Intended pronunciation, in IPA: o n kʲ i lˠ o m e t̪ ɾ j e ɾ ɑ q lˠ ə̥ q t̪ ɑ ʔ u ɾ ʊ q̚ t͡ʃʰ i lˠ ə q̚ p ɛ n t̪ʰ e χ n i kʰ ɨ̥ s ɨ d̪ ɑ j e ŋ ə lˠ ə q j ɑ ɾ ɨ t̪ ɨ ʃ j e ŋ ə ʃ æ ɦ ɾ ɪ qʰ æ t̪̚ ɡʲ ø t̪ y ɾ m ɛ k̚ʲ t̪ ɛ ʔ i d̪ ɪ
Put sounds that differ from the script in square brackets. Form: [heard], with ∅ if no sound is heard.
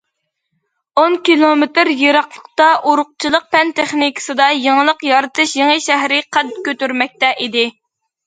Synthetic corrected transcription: o n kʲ i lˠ o m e t̪ ɾ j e ɾ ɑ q lˠ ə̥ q t̪ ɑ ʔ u ɾ ʊ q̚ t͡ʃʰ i lˠ ə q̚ p ɛ n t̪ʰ e χ n i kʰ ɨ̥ s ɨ d̪ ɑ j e ŋ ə lˠ ə q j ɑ ɾ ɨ t̪ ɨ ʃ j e ŋ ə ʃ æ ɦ ɾ ɪ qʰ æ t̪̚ [kʲ] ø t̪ y ɾ m ɛ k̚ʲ t̪ ɛ ʔ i d̪ ɪ